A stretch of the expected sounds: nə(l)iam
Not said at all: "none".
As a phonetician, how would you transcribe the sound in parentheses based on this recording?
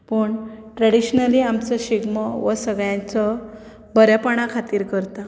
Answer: l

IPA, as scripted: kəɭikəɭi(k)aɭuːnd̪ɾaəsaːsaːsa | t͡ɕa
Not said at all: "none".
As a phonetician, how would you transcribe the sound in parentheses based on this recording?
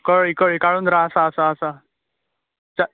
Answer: k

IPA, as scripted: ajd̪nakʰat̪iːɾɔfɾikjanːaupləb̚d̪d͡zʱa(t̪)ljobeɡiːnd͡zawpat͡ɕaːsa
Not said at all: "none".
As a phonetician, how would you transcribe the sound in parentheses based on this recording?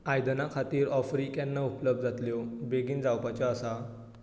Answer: t̪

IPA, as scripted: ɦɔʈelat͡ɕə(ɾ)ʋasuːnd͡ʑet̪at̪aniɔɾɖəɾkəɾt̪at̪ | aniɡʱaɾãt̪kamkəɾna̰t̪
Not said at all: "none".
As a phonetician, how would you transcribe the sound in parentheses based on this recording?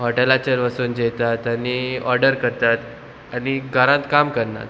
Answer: ɾ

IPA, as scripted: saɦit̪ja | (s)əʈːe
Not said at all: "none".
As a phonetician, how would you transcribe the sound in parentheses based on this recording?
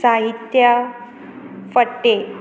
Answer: f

